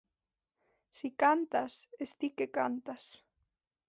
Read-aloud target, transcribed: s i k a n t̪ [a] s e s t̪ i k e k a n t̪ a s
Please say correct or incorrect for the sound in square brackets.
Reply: correct